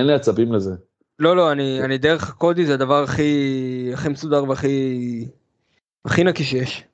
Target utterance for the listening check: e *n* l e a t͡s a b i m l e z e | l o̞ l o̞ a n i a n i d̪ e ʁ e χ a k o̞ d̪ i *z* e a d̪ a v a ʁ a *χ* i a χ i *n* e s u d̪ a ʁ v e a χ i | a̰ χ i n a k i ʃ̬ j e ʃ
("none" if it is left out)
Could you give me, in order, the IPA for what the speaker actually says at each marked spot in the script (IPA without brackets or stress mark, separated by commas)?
n, z, χ, m